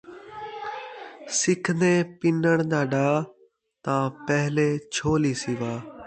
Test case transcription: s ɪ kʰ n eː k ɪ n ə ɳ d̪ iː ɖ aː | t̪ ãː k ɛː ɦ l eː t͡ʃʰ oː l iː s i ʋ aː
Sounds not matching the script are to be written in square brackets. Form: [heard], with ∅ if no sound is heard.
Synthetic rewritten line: s ɪ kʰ n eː [p] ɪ n ə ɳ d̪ [aː] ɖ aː | t̪ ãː [p] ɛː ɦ l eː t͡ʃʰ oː l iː s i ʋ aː

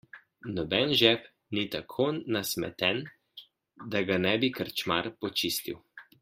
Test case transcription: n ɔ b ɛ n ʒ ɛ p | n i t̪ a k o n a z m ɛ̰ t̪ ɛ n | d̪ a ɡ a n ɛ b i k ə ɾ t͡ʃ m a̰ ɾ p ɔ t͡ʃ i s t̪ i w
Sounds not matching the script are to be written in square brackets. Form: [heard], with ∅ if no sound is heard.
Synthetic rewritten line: n ɔ b ɛ n ʒ ɛ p | n i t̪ a [kʰ] o n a [s] m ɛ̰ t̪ ɛ n | d̪ a ɡ a n ɛ b i k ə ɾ t͡ʃ m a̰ ɾ p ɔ t͡ʃ i s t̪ i w

